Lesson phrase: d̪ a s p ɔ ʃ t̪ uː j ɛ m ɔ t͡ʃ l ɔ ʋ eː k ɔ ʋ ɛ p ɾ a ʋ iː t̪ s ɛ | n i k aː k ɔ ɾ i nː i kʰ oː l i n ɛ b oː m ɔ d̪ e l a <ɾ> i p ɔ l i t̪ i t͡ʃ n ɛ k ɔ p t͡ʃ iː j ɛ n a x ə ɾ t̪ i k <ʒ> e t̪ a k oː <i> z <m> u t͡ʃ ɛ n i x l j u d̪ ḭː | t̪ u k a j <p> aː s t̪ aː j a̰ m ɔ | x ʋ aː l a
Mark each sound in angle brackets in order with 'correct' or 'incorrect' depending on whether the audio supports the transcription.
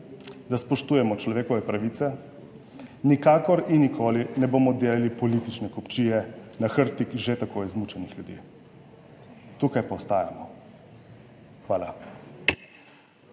incorrect: l, correct, incorrect: j, correct, correct

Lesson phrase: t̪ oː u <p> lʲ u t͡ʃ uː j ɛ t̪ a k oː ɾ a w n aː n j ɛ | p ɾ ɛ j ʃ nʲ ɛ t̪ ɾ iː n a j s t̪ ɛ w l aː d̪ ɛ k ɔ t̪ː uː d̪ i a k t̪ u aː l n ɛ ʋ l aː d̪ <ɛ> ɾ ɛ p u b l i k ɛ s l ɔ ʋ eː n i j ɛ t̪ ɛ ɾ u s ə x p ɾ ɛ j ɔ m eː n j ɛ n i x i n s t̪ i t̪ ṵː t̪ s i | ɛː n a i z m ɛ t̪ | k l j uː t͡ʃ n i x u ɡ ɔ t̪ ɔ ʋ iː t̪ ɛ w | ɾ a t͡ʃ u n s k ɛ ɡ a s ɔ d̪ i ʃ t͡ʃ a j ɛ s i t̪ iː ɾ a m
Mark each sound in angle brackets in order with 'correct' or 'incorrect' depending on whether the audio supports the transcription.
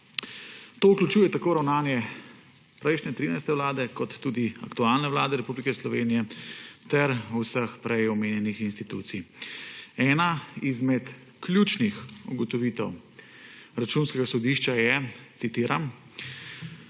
incorrect: k, correct

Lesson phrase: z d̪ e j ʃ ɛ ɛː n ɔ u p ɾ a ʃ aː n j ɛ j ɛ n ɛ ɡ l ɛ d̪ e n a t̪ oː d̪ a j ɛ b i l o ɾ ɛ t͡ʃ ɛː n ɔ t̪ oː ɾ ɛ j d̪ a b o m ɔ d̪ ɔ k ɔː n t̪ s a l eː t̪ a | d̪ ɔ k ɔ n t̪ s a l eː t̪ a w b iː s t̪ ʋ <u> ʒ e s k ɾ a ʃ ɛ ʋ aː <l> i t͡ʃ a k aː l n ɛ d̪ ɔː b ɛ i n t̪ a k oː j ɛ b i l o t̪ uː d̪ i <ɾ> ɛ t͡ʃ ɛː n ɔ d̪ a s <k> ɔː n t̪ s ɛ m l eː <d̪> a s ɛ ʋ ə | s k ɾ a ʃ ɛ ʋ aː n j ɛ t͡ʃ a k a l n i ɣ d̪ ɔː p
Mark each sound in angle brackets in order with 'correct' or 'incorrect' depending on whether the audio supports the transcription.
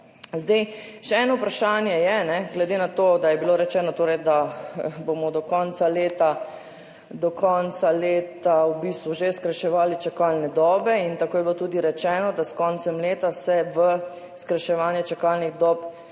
correct, correct, correct, correct, incorrect: t̪

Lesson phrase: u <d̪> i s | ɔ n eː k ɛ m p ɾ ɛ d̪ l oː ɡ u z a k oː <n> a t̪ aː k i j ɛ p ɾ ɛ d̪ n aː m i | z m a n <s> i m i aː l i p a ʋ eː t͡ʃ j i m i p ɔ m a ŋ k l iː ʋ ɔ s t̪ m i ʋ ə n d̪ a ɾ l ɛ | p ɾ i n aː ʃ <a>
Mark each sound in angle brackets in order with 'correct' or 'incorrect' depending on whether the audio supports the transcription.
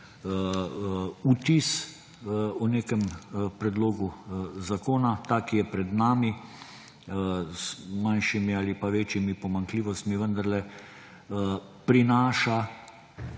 incorrect: t̪, correct, incorrect: ʃ, correct

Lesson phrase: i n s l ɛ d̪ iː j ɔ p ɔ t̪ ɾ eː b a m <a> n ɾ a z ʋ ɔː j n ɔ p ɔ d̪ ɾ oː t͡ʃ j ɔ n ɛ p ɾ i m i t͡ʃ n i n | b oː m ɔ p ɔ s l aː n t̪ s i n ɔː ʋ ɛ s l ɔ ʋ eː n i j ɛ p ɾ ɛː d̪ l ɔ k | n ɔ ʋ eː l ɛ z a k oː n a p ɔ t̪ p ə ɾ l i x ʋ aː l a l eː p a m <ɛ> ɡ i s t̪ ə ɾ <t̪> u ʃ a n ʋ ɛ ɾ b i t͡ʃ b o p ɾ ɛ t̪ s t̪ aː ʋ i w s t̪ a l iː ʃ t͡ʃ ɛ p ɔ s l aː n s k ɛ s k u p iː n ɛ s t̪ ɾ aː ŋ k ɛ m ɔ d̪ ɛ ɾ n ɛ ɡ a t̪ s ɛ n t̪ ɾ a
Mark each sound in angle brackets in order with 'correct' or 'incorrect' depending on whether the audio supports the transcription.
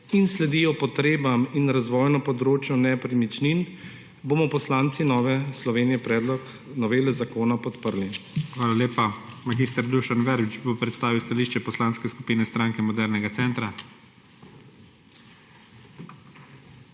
incorrect: i, incorrect: a, incorrect: d̪

